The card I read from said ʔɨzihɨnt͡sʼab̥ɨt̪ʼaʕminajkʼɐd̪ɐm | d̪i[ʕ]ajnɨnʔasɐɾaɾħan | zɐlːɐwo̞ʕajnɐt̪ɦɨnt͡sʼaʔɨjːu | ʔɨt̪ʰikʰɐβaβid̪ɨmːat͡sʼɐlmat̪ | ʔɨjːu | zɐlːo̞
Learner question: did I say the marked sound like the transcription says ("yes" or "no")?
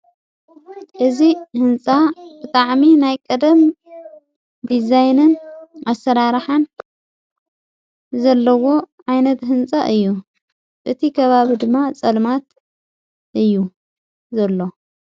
no